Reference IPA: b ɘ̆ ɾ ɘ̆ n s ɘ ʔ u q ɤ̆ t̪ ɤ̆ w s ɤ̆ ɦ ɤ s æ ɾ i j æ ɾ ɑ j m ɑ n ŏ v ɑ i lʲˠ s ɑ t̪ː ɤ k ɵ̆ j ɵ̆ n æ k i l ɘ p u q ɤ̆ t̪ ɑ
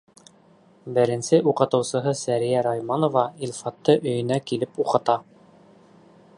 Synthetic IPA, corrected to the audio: b ɘ̆ ɾ ɘ̆ n s ɘ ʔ u q ɤ̆ t̪ ɤ̆ w s ɤ̆ ɦ ɤ s æ ɾ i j æ ɾ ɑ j m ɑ n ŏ v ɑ i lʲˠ f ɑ t̪ː ɤ ʔ ɵ̆ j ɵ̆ n æ k i l ɘ p u q ɤ̆ t̪ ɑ